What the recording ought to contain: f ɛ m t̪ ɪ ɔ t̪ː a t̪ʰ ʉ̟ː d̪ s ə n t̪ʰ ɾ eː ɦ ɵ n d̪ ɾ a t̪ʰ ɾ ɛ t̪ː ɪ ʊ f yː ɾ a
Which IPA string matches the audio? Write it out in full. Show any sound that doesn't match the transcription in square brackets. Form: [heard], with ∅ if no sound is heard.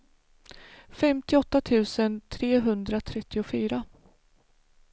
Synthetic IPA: f ɛ m t̪ ɪ ɔ t̪ː a t̪ʰ ʉ̟ː [∅] s ə n t̪ʰ ɾ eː ɦ ɵ n d̪ ɾ a t̪ʰ ɾ ɛ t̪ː ɪ ʊ f yː ɾ a